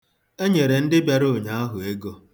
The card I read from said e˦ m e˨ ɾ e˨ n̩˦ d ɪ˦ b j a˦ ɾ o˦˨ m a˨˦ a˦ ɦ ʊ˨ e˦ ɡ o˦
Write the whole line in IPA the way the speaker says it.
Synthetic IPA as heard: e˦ ɲ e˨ ɾ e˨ n̩˦ d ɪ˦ b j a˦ ɾ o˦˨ ɲ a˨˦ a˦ ɦ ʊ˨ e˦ ɡ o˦